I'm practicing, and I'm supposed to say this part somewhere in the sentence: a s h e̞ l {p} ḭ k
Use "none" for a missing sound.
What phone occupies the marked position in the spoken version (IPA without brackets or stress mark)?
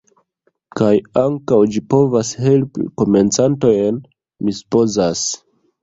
p